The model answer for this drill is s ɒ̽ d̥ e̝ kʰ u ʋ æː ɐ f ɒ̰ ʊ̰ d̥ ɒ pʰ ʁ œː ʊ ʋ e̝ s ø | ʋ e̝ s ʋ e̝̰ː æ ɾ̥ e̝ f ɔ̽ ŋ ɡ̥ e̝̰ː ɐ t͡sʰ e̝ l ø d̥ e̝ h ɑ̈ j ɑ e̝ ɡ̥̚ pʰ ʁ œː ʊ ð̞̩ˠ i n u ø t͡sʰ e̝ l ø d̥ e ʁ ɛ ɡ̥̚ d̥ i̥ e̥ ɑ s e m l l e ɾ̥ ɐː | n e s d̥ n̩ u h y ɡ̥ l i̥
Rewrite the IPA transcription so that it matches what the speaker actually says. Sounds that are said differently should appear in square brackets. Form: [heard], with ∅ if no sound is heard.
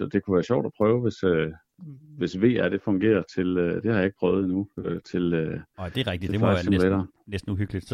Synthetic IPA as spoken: s ɒ̽ d̥ e̝ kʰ u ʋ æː ɐ [ɕ] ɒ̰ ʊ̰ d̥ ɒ pʰ ʁ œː ʊ ʋ e̝ s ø | ʋ e̝ s ʋ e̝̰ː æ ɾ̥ e̝ f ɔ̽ ŋ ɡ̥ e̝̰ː ɐ t͡sʰ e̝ l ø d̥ e̝ h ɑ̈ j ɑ e̝ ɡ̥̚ pʰ ʁ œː ʊ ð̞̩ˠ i n u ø t͡sʰ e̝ l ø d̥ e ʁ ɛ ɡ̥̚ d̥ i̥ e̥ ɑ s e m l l e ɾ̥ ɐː | n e s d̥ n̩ u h y ɡ̥ l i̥